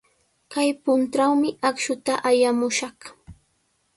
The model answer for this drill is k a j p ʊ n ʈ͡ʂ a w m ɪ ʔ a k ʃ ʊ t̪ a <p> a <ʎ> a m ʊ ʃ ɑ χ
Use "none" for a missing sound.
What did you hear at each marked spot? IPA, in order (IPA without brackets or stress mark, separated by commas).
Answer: ʔ, j